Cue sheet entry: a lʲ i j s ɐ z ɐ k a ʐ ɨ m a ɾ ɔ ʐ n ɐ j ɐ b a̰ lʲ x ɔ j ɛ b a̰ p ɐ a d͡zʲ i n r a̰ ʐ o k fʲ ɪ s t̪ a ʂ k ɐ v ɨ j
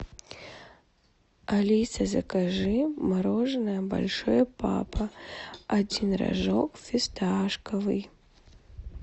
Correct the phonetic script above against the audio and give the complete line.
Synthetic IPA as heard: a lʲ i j s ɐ z ɐ k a ʐ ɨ m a ɾ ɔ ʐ n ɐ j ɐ b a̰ lʲ ʂ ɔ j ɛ p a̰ p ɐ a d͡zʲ i n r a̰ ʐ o k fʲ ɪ s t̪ a ʂ k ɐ v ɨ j